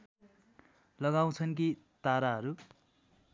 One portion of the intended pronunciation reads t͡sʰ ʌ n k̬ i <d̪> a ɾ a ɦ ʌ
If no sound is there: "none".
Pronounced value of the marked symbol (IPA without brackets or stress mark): t̪